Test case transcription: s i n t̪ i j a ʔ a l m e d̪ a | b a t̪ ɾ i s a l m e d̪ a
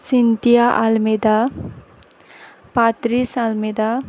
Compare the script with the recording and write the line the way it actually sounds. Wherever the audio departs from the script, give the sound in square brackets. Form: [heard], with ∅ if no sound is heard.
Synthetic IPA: s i n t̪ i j a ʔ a l m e d̪ a | [p] a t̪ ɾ i s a l m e d̪ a